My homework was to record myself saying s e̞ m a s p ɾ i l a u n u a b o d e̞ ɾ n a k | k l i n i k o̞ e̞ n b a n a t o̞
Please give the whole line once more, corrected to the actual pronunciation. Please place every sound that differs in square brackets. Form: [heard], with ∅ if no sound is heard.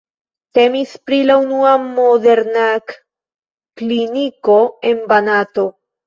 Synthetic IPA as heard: [t] e̞ m [i] s p ɾ i l a u n u a [m] o d e̞ ɾ n a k | k l i n i k o̞ e̞ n b a n a t o̞